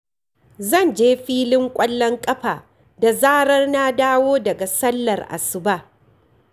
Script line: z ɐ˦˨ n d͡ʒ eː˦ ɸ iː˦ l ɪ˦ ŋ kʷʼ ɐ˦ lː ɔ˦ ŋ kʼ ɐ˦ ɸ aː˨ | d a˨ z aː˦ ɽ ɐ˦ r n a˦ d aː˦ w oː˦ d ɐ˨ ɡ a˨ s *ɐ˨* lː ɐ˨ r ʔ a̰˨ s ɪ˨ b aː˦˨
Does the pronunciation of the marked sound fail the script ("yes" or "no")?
yes